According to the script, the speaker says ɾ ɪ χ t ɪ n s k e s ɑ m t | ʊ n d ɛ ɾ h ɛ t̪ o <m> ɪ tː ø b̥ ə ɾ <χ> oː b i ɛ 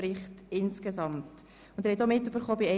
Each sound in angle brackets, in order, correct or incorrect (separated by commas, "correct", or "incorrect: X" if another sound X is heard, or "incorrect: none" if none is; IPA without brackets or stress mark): correct, correct